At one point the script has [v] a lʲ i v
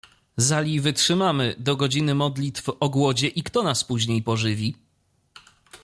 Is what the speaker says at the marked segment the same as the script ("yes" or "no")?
no